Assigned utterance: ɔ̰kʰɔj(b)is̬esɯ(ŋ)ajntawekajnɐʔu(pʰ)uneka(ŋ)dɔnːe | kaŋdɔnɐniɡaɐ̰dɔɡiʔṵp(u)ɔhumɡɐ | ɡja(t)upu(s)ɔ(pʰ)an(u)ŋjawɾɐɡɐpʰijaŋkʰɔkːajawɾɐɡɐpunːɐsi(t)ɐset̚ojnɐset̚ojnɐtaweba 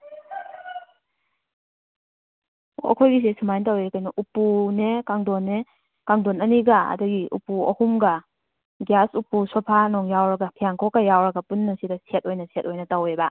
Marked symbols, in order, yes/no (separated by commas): no, no, no, yes, yes, no, yes, yes, no, no